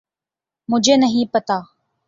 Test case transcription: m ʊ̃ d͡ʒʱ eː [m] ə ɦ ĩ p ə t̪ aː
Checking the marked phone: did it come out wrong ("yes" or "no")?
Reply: yes